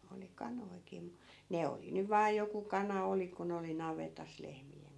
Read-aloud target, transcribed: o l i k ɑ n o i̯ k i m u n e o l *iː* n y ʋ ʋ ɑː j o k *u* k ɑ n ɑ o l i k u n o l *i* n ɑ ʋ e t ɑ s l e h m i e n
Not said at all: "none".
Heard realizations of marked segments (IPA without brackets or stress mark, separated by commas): i, u, i